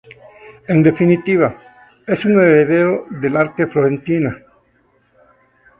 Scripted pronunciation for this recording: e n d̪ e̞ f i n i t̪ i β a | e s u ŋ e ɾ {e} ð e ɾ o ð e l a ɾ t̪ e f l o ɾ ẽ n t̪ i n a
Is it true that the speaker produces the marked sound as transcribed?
yes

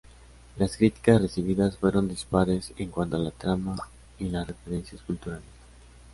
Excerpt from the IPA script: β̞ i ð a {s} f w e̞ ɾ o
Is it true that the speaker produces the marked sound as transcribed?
yes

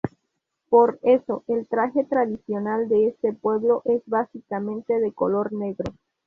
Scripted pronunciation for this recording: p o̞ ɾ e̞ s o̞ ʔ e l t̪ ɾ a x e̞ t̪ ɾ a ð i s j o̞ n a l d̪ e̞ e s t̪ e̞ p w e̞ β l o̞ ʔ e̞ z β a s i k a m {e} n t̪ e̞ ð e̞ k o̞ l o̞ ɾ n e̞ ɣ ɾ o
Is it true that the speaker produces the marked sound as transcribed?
no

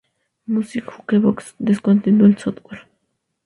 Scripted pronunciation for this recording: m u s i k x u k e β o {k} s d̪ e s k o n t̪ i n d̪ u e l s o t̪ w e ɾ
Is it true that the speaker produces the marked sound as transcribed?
yes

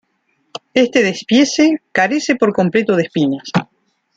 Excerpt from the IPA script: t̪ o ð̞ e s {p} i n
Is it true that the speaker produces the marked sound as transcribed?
yes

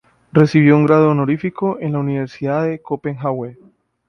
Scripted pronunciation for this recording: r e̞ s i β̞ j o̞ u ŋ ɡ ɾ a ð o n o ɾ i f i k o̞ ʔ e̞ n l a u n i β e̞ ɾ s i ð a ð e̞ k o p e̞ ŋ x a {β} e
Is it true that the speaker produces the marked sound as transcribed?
no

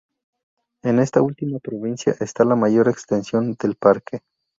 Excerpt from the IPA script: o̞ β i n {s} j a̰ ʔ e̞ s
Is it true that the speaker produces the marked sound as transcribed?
yes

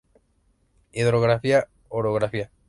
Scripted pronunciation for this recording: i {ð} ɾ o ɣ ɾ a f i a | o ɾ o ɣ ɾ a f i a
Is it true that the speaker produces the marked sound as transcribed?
yes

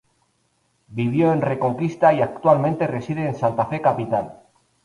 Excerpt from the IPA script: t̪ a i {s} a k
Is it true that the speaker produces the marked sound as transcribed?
no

